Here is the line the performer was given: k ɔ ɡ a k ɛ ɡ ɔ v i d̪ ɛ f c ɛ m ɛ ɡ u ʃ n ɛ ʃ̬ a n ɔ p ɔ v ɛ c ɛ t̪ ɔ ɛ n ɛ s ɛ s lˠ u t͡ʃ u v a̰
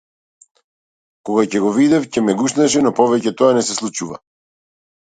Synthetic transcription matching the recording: k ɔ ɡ a c ɛ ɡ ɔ v i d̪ ɛ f c ɛ m ɛ ɡ u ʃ n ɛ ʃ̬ ɛ n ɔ p ɔ v ɛ c ɛ t̪ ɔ a n ɛ s ɛ s lˠ u t͡ʃ u v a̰